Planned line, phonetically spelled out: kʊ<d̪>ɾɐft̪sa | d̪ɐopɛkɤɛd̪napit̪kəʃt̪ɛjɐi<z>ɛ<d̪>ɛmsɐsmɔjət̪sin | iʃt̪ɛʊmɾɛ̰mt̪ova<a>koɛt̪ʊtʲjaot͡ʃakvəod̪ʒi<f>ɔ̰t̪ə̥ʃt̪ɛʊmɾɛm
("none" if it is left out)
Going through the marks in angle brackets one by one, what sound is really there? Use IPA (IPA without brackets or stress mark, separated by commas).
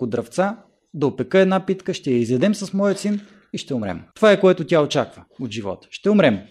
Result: d̪, z, d̪, ɛ, v